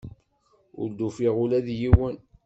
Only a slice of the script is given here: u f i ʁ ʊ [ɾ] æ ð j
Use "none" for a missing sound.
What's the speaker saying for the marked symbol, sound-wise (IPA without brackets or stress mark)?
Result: l